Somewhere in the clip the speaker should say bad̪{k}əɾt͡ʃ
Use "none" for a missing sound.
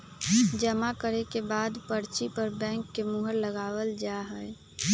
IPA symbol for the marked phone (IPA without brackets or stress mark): p